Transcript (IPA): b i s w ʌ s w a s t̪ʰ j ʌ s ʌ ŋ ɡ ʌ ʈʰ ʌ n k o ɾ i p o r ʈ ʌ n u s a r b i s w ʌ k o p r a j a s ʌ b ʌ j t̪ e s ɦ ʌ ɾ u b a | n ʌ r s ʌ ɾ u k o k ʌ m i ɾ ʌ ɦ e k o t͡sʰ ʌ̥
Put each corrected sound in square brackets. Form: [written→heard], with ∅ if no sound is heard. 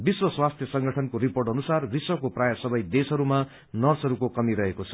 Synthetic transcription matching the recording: b i s w ʌ s w a s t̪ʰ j ʌ s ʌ ŋ ɡ ʌ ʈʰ ʌ n k o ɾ i p o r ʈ ʌ n u s a r b i s w ʌ k o p r a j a s ʌ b ʌ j [t̪→d̪] e s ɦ ʌ ɾ u [b→m] a | n ʌ r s ʌ ɾ u k o k ʌ m i ɾ ʌ ɦ e k o t͡sʰ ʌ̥

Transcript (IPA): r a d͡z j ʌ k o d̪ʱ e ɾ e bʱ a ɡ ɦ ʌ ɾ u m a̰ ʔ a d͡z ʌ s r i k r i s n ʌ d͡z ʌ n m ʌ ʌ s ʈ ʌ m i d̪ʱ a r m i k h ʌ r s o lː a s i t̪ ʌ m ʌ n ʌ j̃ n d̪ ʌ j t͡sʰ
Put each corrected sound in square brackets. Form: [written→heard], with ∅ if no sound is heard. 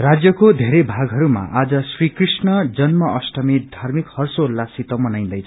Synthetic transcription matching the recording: r a d͡z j ʌ k o d̪ʱ e ɾ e bʱ a ɡ ɦ ʌ ɾ u m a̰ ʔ a d͡z ʌ s r i k r i s n ʌ d͡z ʌ n m ʌ ʌ s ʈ ʌ m i d̪ʱ a r m i k h ʌ r s o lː a s i t̪ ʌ m ʌ n [ʌ→a] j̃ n d̪ ʌ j t͡sʰ

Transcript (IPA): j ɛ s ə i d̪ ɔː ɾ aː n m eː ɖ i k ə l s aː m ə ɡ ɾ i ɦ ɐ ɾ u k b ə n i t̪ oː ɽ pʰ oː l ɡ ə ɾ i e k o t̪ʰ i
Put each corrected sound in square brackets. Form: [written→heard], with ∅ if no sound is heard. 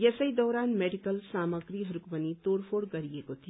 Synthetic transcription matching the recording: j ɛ s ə i d̪ ɔː ɾ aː n m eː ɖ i k ə l s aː m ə ɡ ɾ i ɦ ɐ ɾ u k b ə n i t̪ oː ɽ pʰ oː [l→ɽ] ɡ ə ɾ i e k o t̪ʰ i

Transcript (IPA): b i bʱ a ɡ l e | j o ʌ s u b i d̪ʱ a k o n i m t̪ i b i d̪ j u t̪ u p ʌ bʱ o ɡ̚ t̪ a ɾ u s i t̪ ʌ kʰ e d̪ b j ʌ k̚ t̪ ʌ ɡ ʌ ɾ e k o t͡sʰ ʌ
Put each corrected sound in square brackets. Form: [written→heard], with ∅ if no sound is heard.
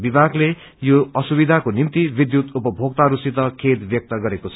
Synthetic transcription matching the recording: b i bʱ a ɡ l e | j o ʌ s u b i d̪ʱ a k o n i m t̪ i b i d̪ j u t̪ u p ʌ bʱ o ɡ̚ t̪ a ɾ u s i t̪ ʌ kʰ e d̪ b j ʌ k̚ t̪ ʌ ɡ ʌ ɾ e k o t͡sʰ ʌ

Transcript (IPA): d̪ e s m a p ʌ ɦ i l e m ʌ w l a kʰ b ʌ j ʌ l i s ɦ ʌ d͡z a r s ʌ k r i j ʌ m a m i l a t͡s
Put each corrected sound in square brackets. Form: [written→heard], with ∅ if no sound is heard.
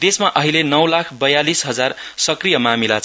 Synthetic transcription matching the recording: d̪ e s m a [p→ʔ] ʌ ɦ i l e [m→n] ʌ w l a kʰ b ʌ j [ʌ→a] l i s ɦ ʌ d͡z a r s ʌ k r i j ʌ m a m i l a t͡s

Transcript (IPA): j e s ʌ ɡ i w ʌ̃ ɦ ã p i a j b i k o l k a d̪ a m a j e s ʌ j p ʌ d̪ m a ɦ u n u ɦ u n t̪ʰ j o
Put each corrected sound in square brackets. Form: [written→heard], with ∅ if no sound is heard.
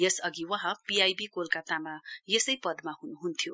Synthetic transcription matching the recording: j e s ʌ ɡ i w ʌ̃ ɦ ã p i a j b i k o l k a [d̪→t̪] a m a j e s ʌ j p ʌ d̪ m a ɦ u n u ɦ u n t̪ʰ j o

